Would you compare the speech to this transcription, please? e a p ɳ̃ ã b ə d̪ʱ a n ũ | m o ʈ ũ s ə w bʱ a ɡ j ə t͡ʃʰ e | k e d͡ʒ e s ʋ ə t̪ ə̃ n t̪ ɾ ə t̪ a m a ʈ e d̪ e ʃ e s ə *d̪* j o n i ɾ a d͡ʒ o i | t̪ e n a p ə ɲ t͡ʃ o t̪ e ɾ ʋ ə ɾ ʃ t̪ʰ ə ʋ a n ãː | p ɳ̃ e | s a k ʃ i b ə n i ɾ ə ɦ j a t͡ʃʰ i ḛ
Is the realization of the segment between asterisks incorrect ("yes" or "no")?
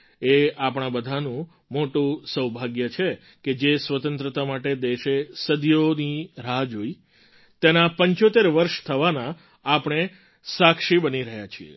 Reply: no